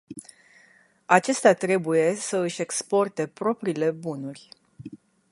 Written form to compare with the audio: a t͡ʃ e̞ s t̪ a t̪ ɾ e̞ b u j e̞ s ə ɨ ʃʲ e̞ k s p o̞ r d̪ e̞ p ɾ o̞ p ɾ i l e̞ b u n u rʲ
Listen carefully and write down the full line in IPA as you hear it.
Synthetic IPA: a t͡ʃ e̞ s t̪ a t̪ ɾ e̞ b u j e̞ s ə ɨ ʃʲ e̞ k s p o̞ r t̪ e̞ p ɾ o̞ p ɾ i l e̞ b u n u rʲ